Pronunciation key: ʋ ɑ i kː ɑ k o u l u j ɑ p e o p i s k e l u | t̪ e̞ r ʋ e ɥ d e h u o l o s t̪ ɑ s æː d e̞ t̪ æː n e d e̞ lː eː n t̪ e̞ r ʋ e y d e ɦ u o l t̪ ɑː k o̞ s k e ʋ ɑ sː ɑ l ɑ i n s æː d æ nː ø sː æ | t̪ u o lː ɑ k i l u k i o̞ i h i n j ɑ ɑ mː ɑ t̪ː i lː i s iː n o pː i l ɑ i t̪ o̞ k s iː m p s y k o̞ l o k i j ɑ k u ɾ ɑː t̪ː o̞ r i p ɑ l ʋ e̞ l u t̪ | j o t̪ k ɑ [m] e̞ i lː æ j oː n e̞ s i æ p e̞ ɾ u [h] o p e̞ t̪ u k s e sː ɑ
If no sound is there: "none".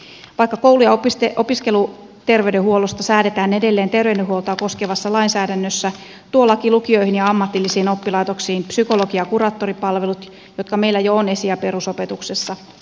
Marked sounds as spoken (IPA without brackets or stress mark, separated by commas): m, s